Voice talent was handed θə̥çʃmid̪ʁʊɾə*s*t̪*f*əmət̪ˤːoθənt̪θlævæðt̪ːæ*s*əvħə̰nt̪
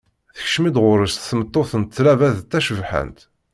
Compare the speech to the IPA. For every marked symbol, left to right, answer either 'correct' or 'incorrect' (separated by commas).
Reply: correct, incorrect, incorrect